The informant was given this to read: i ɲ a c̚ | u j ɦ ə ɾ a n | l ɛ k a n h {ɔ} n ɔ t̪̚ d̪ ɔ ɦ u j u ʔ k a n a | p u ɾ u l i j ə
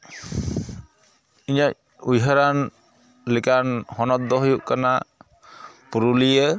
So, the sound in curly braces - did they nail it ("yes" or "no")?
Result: yes